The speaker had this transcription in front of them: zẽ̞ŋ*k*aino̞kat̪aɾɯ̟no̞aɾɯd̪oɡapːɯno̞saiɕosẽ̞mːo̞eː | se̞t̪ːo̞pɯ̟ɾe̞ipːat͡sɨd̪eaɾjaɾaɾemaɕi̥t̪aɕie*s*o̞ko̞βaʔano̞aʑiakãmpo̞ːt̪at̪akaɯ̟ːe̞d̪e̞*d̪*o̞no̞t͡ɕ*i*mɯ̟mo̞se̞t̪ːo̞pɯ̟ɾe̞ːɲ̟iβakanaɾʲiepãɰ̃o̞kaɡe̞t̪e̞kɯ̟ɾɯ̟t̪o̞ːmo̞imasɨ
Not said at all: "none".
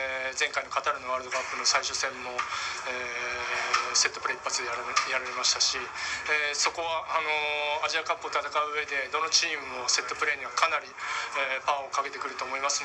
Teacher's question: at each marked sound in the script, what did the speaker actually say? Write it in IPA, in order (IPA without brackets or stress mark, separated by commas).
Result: k, s, d̪, iː